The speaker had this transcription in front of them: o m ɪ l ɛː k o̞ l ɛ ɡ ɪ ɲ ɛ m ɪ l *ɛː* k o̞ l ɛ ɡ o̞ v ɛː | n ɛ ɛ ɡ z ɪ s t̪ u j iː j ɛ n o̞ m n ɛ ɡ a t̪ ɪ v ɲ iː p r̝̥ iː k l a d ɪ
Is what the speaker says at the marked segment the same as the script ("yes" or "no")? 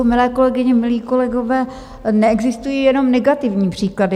no